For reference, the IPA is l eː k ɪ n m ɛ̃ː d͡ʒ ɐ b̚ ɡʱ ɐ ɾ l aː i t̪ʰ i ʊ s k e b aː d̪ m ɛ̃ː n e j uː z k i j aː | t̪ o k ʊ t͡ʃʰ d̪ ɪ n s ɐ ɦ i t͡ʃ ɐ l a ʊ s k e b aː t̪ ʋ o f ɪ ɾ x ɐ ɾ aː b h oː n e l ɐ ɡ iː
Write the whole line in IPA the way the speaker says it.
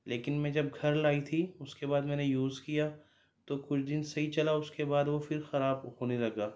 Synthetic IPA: l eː k ɪ n m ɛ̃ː d͡ʒ ɐ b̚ ɡʱ ɐ ɾ l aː i t̪ʰ i ʊ s k e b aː d̪ m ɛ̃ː n e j uː z k i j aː | t̪ o k ʊ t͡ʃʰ d̪ ɪ n s ɐ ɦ i t͡ʃ ɐ l a ʊ s k e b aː d̪ ʋ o f ɪ ɾ x ɐ ɾ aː b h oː n e l ɐ ɡ aː